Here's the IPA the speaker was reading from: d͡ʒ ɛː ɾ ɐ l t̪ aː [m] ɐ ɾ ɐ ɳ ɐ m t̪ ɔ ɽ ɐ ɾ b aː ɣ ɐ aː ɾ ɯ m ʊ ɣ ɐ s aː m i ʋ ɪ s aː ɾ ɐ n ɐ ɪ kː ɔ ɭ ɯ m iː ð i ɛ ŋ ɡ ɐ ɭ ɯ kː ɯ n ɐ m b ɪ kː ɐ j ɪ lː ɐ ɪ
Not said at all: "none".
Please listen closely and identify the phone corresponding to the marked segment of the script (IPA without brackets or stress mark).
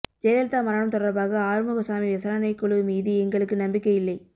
m